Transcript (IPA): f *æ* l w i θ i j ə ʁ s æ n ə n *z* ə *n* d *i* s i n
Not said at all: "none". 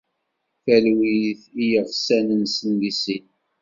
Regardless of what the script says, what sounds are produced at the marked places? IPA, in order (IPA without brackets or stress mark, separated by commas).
æ, s, n, i